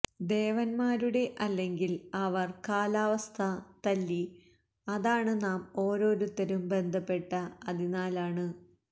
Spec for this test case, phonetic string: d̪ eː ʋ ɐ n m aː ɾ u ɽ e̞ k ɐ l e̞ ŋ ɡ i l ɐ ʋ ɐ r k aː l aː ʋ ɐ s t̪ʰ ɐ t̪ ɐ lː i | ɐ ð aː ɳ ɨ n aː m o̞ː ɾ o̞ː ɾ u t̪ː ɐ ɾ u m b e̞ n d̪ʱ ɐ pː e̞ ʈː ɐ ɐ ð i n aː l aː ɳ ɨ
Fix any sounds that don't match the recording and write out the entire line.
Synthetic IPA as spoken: d̪ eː ʋ ɐ n m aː ɾ u ɽ e̞ ʔ ɐ lː e̞ ŋ ɡ i l ɐ ʋ ɐ r k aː l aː ʋ ɐ s t̪ʰ ɐ t̪ ɐ lː i | ɐ ð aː ɳ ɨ n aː m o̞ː ɾ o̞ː ɾ u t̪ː ɐ ɾ u m b e̞ n d̪ʱ ɐ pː e̞ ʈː ɐ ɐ ð i n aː l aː ɳ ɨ

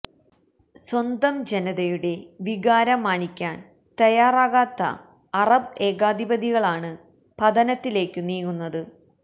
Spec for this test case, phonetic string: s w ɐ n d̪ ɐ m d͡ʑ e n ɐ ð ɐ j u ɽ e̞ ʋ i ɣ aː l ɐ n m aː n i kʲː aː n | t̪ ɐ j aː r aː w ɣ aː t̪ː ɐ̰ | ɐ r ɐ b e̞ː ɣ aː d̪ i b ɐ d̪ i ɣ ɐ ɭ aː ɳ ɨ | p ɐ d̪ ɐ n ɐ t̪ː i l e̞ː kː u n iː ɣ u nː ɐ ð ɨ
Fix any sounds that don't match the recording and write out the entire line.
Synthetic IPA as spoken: s w ɐ n d̪ ɐ m d͡ʑ e n ɐ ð ɐ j u ɽ e̞ ʋ i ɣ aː ɾ ɐ m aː n i kʲː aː n | t̪ ɐ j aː r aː ɣ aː t̪ː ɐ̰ | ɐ r ɐ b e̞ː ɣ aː d̪ i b ɐ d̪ i ɣ ɐ ɭ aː ɳ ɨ | p ɐ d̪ ɐ n ɐ t̪ː i l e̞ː kː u n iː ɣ u nː ɐ ð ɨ

